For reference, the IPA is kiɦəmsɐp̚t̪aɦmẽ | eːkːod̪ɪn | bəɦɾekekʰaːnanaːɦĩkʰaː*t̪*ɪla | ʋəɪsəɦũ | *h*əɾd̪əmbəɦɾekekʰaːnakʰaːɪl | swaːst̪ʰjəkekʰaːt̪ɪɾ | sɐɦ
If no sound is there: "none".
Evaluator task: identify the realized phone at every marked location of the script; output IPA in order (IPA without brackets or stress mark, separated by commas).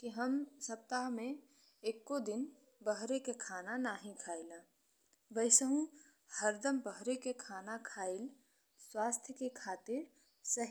none, h